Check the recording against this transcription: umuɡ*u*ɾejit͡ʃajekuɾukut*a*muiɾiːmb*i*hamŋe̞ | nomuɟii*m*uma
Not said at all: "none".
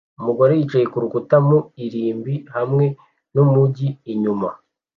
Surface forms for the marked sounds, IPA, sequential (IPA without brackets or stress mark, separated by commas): o, a, i, ɲ